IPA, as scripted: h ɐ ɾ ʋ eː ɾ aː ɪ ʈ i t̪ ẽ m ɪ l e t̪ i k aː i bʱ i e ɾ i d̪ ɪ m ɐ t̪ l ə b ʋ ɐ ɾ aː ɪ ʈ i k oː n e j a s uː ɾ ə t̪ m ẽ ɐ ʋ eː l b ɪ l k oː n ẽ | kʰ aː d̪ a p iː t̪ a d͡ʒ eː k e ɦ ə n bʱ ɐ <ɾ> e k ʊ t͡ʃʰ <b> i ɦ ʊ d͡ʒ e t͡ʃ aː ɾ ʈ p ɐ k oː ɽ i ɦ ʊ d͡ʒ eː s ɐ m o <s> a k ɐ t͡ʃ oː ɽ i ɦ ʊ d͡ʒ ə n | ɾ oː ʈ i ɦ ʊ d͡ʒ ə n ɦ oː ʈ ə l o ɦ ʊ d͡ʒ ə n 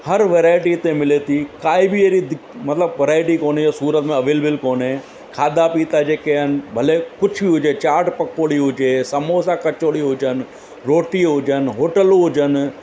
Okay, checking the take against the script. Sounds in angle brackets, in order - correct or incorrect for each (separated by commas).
incorrect, correct, correct